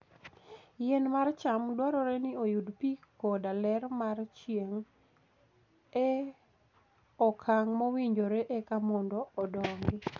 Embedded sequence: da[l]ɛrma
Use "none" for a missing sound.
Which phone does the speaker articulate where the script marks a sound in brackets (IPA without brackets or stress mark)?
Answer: l